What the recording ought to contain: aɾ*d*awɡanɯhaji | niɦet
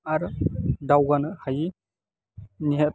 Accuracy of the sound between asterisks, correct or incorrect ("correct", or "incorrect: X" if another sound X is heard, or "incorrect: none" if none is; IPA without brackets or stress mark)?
correct